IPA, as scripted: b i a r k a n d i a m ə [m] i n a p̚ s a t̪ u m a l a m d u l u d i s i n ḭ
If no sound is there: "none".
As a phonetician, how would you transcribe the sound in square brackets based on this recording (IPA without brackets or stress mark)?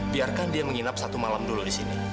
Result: ŋ